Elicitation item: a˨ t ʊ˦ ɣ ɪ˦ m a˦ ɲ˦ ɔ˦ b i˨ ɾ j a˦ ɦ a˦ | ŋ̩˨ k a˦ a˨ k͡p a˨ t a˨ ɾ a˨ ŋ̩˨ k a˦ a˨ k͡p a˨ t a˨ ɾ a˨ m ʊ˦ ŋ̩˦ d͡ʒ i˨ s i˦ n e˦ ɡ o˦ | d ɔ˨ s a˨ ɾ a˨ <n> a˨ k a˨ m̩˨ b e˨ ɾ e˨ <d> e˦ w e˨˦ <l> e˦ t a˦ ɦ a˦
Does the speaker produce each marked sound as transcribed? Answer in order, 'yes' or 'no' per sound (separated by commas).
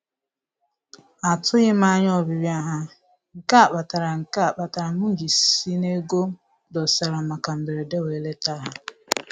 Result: no, yes, yes